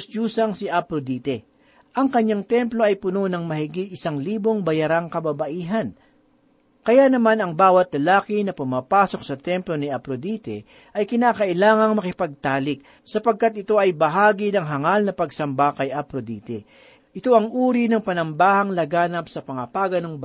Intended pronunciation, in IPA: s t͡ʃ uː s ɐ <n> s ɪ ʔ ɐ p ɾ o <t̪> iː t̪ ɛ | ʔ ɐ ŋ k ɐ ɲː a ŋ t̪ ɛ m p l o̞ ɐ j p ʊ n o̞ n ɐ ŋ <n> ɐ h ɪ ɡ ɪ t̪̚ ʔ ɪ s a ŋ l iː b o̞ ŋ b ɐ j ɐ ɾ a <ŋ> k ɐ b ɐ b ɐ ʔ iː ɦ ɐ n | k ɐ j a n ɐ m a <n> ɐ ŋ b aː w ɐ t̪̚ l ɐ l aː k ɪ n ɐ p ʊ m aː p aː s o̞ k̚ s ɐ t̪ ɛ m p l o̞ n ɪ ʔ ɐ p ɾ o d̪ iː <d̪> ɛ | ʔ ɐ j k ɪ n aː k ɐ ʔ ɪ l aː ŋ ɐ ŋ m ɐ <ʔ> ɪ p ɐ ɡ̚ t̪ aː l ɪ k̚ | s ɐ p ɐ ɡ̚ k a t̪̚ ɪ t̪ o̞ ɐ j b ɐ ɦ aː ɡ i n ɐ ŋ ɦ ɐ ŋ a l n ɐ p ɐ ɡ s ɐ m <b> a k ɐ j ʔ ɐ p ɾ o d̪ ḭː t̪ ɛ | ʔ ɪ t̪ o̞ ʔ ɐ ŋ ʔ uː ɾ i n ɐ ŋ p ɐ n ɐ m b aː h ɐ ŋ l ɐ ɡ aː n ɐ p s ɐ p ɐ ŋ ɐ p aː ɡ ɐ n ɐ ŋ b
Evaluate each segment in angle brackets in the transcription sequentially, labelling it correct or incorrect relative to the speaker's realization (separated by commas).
incorrect, incorrect, incorrect, correct, correct, incorrect, incorrect, correct